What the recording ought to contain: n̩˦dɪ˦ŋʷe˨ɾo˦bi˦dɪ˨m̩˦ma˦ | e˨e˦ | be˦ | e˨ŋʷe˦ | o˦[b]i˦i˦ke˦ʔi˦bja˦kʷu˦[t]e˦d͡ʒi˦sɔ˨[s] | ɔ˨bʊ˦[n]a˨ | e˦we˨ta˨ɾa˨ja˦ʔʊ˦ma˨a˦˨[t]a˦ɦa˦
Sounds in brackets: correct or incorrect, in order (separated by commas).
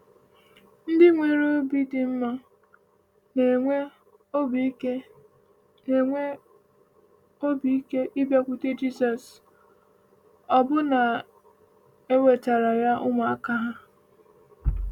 correct, correct, correct, correct, incorrect